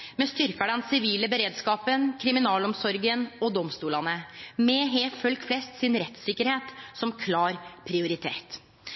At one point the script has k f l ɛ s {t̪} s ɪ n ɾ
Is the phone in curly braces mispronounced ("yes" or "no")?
no